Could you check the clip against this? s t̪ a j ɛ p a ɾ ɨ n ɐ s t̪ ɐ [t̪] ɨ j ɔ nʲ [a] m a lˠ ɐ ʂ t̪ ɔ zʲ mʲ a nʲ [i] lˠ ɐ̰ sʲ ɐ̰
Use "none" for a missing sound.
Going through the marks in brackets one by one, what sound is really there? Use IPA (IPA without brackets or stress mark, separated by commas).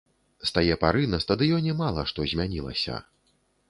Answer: d̪, ɛ, i